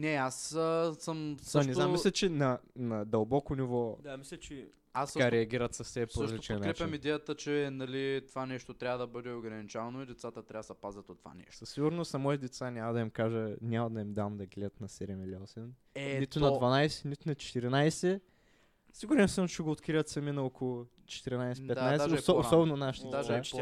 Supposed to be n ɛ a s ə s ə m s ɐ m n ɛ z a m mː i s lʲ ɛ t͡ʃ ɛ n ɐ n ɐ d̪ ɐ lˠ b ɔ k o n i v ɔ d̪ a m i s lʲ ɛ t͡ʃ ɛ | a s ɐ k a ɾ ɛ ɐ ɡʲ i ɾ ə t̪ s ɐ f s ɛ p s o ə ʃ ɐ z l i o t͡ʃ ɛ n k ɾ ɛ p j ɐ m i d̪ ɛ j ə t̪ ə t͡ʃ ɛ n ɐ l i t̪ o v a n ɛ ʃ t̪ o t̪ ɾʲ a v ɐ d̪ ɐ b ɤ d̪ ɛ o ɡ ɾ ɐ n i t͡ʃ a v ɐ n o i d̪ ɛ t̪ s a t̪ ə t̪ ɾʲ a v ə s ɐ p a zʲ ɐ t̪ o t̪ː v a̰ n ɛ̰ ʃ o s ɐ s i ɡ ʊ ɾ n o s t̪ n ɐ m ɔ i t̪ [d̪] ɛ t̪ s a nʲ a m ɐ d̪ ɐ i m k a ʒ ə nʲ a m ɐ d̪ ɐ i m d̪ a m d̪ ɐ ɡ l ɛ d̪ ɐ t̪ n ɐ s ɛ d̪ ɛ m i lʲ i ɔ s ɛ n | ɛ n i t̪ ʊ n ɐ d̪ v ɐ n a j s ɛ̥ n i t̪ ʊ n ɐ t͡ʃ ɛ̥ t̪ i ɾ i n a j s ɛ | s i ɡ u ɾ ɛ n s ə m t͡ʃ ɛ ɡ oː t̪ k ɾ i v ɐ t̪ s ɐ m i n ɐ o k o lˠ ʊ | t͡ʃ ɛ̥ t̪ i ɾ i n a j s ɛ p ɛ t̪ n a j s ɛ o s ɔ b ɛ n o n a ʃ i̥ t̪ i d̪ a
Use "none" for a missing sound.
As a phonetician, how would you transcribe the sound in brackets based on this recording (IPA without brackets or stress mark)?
d̪